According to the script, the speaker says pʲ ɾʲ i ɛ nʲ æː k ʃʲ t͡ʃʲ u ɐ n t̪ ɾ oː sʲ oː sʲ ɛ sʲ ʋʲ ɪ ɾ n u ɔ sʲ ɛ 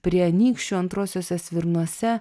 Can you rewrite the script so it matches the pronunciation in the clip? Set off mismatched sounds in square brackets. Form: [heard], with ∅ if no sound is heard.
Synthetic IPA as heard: pʲ ɾʲ i ɛ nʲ [iː] k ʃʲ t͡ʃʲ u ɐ n t̪ ɾ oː sʲ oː sʲ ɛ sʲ ʋʲ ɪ ɾ n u ɔ sʲ ɛ